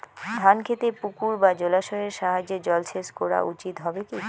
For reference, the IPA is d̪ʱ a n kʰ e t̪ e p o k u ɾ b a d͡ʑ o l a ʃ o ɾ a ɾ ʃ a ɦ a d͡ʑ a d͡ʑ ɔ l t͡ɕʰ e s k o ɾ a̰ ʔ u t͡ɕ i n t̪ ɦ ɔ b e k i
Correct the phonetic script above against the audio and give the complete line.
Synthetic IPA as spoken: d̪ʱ a n kʰ e t̪ e p u k u ɾ b a d͡ʑ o l a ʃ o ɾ e ɾ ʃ a ɦ a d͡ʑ e d͡ʑ ɔ l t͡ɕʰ e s k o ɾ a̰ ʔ u t͡ɕ i t̪ ɦ ɔ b e k i